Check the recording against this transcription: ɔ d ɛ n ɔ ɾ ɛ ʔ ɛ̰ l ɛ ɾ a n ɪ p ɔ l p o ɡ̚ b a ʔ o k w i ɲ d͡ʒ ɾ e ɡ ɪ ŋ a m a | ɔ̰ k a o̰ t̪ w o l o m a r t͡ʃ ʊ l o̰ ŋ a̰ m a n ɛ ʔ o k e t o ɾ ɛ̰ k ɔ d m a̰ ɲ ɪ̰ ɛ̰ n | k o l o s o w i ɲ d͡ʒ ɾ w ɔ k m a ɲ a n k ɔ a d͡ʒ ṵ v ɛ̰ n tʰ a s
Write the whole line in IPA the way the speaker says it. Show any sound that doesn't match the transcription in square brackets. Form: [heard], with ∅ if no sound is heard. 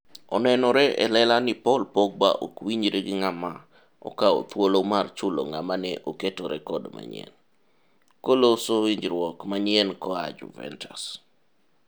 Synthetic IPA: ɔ [n] ɛ n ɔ ɾ ɛ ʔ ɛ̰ l ɛ [l] a n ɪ p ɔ l p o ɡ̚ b a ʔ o k w i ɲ d͡ʒ ɾ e ɡ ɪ ŋ a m a | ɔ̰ k a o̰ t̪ w o l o m a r t͡ʃ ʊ l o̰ ŋ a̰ m a n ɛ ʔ o k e t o ɾ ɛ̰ k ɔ d m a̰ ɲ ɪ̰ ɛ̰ n | k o l o s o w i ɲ d͡ʒ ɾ w ɔ k m a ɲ [ɛ] n k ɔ a d͡ʒ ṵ v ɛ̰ n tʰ a s